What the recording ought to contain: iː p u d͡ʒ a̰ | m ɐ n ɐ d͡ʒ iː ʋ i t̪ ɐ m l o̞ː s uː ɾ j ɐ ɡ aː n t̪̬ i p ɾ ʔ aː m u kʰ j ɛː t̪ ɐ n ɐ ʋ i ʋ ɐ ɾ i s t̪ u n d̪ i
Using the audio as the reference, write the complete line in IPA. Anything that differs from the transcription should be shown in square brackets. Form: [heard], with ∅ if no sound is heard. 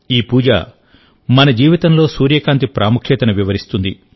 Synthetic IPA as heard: iː p [uː] d͡ʒ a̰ | m ɐ n ɐ d͡ʒ iː ʋ i t̪ ɐ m l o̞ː s uː ɾ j ɐ [k] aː n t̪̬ i p ɾ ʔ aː m u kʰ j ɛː t̪ ɐ n ɐ ʋ i ʋ ɐ ɾ i s t̪ u n d̪ i